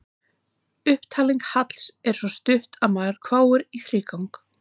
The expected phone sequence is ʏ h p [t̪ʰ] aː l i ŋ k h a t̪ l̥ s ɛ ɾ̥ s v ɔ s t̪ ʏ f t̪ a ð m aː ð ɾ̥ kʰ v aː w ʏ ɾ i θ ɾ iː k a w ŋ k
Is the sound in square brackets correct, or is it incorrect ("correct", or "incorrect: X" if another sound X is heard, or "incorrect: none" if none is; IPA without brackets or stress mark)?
correct